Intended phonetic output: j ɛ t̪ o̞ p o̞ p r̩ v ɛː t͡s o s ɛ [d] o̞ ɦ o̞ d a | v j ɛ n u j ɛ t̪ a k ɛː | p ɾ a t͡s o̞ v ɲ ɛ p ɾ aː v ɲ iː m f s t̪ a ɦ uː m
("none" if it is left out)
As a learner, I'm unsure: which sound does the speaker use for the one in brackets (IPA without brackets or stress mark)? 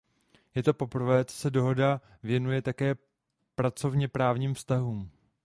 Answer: d